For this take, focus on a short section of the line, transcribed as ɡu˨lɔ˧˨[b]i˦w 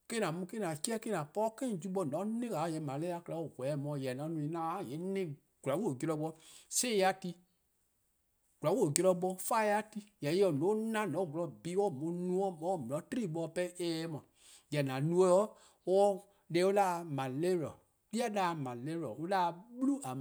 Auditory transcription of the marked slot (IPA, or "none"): b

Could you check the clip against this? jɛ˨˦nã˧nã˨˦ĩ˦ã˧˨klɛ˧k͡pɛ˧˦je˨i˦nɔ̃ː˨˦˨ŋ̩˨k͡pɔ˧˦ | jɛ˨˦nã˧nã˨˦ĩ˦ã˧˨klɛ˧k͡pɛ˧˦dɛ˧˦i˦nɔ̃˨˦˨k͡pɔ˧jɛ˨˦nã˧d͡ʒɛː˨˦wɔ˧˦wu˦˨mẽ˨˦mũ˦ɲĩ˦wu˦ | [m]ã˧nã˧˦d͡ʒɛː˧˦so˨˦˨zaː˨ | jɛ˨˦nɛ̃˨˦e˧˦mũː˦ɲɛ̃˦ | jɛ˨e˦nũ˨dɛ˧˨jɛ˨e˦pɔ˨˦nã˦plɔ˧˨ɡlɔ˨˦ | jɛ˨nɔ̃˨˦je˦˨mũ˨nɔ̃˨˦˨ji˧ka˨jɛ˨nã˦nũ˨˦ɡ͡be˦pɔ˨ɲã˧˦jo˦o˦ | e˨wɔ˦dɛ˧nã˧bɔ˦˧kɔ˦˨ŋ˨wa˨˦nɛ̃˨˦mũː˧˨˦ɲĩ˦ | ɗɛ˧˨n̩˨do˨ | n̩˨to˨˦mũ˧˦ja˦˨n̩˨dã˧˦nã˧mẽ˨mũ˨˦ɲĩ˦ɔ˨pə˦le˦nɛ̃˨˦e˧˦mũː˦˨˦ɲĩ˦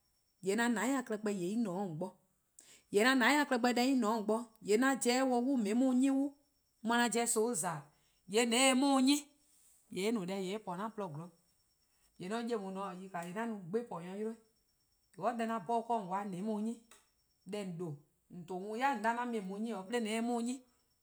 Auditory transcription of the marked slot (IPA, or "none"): m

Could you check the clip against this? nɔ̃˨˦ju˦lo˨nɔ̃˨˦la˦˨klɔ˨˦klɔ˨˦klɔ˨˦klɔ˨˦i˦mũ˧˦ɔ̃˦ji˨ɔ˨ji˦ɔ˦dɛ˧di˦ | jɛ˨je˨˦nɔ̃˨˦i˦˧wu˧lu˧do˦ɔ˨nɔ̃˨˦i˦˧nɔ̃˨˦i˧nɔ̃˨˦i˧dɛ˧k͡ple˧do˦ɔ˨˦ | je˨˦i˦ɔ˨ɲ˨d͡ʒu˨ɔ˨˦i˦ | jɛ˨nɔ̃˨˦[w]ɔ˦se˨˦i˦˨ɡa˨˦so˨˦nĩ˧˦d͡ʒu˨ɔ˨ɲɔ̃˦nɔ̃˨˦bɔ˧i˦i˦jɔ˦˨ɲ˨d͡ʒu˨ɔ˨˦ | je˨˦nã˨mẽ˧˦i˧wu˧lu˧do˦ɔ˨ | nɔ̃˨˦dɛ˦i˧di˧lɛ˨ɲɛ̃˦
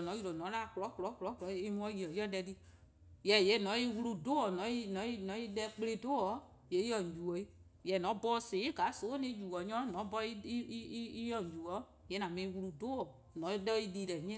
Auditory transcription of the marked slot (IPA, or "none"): b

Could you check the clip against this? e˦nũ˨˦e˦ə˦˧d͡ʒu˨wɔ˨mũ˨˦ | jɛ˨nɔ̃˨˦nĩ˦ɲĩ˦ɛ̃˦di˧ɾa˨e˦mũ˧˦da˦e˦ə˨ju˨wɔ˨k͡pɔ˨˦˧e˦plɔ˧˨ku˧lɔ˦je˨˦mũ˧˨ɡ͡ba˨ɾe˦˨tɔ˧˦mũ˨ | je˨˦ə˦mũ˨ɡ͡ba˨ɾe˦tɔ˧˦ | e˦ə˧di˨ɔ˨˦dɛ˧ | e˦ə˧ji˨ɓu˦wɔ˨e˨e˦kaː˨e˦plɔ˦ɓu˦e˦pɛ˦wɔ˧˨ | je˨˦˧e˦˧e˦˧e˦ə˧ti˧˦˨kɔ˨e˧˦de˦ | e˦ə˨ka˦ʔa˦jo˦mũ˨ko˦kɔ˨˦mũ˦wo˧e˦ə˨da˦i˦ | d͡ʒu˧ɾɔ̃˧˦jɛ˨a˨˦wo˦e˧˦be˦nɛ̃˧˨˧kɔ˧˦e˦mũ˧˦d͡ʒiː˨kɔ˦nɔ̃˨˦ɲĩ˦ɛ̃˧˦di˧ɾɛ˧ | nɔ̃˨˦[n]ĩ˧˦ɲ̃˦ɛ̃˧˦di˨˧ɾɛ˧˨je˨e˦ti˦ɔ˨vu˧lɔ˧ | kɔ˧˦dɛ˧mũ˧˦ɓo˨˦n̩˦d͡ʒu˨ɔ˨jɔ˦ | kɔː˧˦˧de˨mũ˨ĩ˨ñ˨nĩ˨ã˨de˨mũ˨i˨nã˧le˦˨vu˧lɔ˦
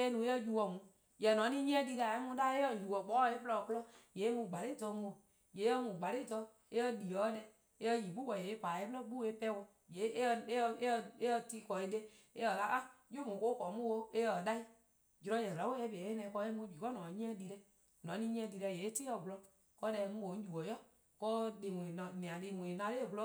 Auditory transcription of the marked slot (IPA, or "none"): n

